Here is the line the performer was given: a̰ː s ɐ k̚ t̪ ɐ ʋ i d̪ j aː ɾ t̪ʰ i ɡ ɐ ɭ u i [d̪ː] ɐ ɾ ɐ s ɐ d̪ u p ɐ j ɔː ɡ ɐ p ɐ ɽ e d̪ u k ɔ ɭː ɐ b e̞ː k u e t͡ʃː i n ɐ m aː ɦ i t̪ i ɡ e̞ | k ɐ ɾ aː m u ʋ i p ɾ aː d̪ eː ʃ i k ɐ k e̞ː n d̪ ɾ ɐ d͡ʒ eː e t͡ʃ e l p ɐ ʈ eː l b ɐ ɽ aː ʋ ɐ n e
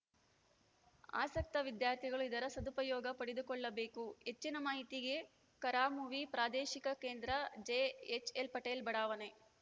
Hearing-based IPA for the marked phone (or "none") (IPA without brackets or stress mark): d̪